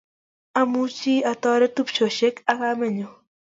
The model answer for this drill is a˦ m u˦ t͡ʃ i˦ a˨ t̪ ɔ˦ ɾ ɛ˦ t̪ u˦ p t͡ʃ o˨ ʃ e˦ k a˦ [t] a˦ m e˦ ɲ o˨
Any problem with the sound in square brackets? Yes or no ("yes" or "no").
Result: yes